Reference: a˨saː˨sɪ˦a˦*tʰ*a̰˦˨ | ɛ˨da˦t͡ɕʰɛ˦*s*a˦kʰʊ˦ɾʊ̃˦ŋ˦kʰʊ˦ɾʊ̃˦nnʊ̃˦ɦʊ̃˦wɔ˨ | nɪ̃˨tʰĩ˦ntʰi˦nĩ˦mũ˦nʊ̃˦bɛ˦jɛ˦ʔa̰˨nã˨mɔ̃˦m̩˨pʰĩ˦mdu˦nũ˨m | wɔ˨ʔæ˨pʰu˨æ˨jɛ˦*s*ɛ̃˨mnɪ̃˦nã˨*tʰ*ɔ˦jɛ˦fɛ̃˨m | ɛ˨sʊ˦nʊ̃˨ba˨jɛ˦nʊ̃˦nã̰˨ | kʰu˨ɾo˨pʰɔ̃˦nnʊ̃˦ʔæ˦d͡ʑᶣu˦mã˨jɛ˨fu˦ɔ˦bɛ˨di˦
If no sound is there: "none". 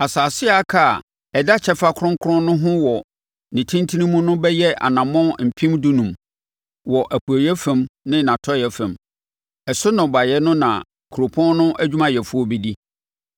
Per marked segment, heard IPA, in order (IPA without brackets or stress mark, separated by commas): kʰ, f, f, tʰ